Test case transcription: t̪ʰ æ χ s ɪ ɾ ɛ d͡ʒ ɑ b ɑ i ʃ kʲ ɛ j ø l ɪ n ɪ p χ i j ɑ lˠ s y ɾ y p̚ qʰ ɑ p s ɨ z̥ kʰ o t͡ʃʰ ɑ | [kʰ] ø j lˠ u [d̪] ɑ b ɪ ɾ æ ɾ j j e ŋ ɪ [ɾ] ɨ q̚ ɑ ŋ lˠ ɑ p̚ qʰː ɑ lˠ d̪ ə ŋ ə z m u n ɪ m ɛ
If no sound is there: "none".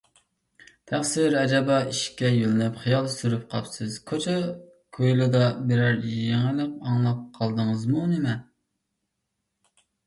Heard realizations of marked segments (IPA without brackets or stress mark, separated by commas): kʰ, d̪, l